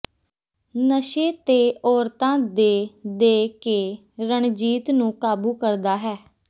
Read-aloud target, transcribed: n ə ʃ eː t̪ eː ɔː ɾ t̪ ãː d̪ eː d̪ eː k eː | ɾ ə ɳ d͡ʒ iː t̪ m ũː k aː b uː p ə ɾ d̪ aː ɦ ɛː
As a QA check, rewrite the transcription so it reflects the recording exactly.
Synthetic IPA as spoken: n ə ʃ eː t̪ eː ɔː ɾ t̪ ãː d̪ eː d̪ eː k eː | ɾ ə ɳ d͡ʒ iː t̪ n ũː k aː b uː k ə ɾ d̪ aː ɦ ɛː